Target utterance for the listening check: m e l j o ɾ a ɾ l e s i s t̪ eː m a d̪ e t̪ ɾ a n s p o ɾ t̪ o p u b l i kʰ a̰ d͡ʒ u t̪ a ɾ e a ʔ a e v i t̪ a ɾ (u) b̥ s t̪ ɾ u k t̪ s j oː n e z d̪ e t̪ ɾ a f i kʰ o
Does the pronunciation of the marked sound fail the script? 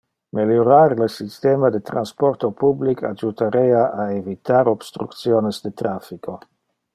yes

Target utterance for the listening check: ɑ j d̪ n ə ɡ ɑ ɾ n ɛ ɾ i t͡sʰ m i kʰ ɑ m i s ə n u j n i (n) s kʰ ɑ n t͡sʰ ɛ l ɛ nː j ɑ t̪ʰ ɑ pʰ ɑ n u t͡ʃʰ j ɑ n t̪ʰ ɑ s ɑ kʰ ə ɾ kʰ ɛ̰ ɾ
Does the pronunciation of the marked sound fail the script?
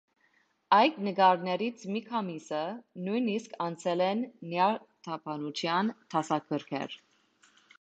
yes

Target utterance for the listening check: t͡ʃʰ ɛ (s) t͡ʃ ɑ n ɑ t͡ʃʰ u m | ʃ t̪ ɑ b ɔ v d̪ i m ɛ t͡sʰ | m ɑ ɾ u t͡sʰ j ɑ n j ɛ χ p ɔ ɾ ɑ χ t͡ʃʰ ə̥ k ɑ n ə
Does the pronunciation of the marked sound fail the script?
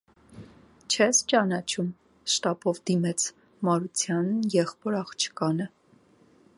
no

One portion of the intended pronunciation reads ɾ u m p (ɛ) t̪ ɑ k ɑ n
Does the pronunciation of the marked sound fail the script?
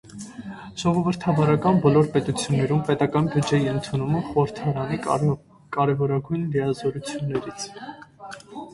no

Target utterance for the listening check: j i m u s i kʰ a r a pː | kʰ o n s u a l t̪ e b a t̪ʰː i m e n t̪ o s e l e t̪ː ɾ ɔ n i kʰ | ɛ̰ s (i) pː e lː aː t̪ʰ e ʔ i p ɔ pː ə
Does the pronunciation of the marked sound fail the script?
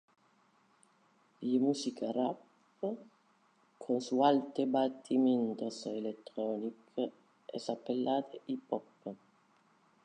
yes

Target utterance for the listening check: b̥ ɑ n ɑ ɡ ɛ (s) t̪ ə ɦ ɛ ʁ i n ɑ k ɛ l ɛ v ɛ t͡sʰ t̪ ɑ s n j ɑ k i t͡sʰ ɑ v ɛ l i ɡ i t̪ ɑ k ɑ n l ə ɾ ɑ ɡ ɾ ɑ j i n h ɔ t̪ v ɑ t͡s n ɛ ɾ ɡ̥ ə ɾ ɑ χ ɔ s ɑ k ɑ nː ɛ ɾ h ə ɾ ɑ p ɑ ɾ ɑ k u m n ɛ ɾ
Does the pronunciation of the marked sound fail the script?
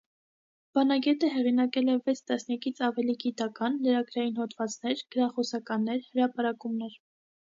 yes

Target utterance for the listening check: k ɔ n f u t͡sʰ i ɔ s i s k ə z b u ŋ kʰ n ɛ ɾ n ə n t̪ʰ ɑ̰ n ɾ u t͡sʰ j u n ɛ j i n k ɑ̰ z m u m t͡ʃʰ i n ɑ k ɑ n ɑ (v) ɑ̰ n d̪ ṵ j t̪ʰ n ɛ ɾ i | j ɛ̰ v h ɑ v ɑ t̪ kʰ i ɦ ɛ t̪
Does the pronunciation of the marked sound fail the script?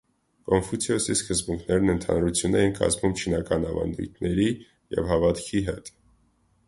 no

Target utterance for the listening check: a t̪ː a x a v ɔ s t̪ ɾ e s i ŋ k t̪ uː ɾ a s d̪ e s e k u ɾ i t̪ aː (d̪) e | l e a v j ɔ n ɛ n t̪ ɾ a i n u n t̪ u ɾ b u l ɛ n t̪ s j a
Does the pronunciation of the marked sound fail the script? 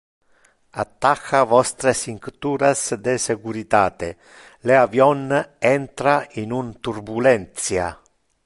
yes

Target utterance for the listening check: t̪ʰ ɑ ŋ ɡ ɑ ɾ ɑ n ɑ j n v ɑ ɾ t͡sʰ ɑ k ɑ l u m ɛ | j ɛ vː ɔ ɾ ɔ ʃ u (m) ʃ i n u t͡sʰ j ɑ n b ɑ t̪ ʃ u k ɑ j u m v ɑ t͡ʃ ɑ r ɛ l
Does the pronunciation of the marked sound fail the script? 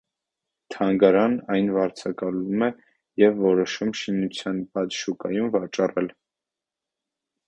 no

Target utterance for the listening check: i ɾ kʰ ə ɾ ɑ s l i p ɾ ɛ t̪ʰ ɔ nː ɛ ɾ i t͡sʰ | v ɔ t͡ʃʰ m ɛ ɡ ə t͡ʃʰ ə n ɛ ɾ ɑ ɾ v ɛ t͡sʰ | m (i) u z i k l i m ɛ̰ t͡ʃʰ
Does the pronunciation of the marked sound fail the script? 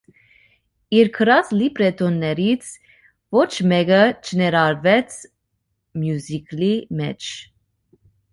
yes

